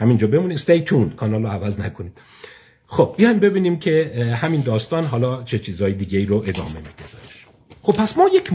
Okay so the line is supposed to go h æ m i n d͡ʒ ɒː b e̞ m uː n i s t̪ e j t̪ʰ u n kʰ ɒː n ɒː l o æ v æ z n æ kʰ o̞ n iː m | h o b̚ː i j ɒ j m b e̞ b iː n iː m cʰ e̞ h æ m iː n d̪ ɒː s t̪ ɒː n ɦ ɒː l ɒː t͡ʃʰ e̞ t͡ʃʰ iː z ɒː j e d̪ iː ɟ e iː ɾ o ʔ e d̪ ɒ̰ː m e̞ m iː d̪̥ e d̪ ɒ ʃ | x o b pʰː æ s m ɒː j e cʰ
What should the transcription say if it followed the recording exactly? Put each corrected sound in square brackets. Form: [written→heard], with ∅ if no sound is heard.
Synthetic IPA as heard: h æ m i n d͡ʒ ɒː b e̞ m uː n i s t̪ e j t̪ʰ u n kʰ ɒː n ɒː l o æ v æ z n æ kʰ o̞ n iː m | [h→x] o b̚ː i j ɒ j m b e̞ b iː n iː m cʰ e̞ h æ m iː n d̪ ɒː s t̪ ɒː n ɦ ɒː l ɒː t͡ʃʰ e̞ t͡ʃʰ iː z ɒː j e d̪ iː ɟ e iː ɾ o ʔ e d̪ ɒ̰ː m e̞ m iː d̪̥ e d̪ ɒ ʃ | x o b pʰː æ s m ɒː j e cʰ